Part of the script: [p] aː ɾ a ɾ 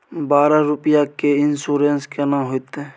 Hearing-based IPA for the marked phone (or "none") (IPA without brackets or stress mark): b